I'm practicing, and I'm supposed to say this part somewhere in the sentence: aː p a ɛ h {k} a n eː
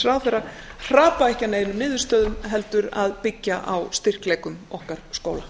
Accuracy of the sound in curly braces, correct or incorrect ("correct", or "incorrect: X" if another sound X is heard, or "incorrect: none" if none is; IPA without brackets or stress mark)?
incorrect: c